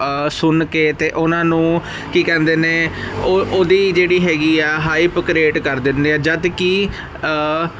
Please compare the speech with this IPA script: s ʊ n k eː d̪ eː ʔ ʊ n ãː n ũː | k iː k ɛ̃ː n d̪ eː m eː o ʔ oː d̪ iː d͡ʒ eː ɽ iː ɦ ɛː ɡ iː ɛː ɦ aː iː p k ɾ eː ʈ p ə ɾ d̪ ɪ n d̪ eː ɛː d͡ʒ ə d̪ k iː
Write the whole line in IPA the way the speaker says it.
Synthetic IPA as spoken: s ʊ n k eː t̪ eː ʔ ʊ n ãː n ũː | k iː k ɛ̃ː n d̪ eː n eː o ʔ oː d̪ iː d͡ʒ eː ɽ iː ɦ ɛː ɡ iː ɛː ɦ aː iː p k ɾ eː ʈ k ə ɾ d̪ ɪ n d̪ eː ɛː d͡ʒ ə d̪ k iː